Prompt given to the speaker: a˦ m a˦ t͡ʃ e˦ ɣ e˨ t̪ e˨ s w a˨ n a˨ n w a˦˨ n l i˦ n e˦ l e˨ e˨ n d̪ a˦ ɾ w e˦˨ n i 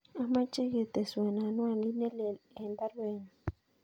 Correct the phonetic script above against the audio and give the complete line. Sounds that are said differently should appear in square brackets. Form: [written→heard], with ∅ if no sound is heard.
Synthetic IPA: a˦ m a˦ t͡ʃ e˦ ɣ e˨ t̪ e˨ s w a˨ n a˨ n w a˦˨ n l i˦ n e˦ l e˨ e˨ n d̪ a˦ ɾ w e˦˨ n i

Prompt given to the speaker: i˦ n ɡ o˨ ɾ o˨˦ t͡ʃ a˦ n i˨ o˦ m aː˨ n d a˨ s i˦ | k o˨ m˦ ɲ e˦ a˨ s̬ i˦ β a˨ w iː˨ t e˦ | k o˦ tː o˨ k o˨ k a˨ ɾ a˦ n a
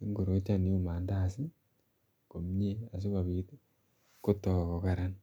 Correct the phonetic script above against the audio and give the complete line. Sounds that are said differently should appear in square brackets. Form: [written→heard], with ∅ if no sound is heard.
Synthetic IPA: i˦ [n→ŋ] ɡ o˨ ɾ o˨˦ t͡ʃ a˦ n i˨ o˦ m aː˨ n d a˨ s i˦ | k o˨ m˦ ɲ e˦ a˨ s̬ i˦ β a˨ [w→β] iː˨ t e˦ | k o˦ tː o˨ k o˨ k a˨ ɾ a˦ n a

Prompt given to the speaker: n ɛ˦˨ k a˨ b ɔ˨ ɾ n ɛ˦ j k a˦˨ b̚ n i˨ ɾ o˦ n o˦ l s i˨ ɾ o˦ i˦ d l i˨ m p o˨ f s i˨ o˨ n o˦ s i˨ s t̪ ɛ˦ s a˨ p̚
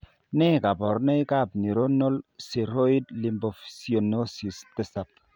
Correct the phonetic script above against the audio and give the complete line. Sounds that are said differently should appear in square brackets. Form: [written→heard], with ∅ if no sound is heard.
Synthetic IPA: n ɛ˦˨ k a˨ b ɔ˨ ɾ n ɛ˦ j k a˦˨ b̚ n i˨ ɾ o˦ n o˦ l s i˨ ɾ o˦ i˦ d l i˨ m [p→b] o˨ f s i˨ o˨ n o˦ s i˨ s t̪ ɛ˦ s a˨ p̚

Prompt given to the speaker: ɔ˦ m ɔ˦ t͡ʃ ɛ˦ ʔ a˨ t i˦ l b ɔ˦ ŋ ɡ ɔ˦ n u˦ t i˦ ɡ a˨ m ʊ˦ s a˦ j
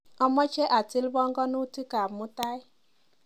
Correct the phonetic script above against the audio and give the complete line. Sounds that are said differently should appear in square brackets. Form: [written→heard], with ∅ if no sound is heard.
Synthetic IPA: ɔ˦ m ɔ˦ t͡ʃ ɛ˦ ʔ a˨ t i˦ l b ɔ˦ ŋ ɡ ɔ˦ n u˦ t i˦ [ɡ→k] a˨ m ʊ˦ [s→t] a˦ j

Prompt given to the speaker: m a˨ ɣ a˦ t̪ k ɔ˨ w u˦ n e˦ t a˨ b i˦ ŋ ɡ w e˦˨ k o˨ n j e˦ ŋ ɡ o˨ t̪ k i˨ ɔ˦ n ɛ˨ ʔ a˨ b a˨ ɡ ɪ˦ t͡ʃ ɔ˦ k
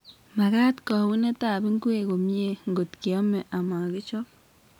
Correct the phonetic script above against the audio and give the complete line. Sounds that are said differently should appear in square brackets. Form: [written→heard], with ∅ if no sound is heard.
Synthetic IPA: m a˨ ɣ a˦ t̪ k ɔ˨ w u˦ n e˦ t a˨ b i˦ ŋ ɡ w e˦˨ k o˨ [n→m] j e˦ ŋ ɡ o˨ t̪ k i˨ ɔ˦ [n→m] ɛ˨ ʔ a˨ [b→m] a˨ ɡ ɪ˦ t͡ʃ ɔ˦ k

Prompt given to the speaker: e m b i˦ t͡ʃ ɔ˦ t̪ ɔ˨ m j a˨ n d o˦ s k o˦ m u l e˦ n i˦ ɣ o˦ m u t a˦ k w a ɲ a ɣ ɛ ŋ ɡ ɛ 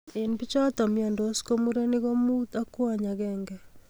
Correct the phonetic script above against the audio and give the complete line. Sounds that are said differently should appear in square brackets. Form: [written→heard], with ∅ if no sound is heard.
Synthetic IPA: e [m→n] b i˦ t͡ʃ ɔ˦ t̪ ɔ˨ m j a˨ n d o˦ s k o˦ m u [l→ɾ] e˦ n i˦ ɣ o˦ m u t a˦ k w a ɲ a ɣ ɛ ŋ ɡ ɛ

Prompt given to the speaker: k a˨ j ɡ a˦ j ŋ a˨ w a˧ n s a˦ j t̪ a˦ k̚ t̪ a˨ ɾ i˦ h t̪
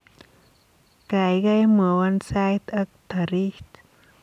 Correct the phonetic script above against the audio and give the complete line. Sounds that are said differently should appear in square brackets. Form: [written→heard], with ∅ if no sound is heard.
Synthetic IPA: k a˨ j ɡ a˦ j [ŋ→m] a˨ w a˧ n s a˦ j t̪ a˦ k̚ t̪ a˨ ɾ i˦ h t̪

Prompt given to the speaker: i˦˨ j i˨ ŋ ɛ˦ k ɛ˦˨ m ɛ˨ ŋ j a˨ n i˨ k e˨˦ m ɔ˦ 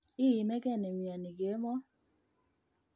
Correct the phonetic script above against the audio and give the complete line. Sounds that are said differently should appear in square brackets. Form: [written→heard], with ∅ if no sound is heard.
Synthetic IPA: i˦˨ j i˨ [ŋ→m] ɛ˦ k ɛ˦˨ [m→n] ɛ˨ [ŋ→m] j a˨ n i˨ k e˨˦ m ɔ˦

